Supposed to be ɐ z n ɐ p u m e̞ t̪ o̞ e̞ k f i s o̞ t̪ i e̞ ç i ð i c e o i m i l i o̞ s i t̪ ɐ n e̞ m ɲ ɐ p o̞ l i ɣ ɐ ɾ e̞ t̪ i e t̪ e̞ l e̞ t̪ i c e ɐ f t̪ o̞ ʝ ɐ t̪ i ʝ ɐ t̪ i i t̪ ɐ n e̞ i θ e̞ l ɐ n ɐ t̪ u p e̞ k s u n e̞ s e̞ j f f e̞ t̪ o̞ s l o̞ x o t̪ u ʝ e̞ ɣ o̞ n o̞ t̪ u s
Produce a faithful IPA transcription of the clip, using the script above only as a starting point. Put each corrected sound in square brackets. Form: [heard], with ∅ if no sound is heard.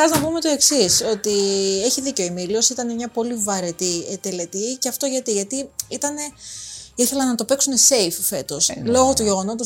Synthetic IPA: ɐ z n ɐ p u m e̞ t̪ o̞ e̞ k [s] i s o̞ t̪ i e̞ ç i ð i c e o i m i l i o̞ s i t̪ ɐ n e̞ m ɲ ɐ p o̞ l i [v] ɐ ɾ e̞ t̪ i e t̪ e̞ l e̞ t̪ i c e ɐ f t̪ o̞ ʝ ɐ t̪ i ʝ ɐ t̪ i i t̪ ɐ n e̞ i θ e̞ l ɐ n ɐ t̪ [o] p e̞ k s u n e̞ s e̞ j f f e̞ t̪ o̞ s l o̞ [ɣ] o t̪ u ʝ e̞ ɣ o̞ n o̞ t̪ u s